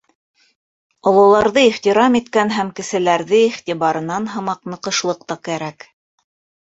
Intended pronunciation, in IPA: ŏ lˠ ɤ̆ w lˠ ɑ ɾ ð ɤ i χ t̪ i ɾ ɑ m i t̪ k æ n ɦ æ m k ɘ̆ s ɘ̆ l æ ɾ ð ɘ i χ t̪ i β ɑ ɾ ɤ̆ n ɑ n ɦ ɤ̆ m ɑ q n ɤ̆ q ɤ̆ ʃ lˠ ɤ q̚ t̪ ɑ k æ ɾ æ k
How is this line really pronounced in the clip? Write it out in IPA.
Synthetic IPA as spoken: ŏ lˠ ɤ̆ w lˠ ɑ ɾ ð ɤ i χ t̪ i ɾ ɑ m i t̪ k æ n ɦ æ m k ɘ̆ s ɘ̆ l æ ɾ ð ɘ i χ t̪ i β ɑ ɾ ɤ̆ n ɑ n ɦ ɤ̆ m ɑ q n ɤ̆ q ɤ̆ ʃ lˠ ɤ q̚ t̪ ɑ k æ ɾ æ k